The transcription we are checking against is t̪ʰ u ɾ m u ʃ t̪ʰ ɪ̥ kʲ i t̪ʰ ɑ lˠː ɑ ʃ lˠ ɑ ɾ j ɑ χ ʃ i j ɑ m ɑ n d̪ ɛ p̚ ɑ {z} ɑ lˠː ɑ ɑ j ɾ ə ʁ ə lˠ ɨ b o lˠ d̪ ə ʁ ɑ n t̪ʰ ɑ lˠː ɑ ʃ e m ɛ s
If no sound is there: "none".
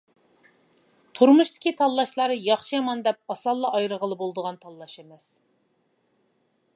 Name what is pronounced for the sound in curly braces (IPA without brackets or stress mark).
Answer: s